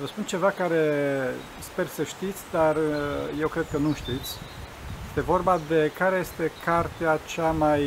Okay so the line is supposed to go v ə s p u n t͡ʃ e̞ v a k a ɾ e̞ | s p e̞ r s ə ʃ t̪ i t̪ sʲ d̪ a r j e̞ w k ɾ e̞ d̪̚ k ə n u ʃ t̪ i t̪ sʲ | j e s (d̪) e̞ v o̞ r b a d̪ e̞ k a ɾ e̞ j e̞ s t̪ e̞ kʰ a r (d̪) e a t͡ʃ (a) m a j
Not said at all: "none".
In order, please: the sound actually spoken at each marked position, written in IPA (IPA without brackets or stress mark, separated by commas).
t̪, t̪, a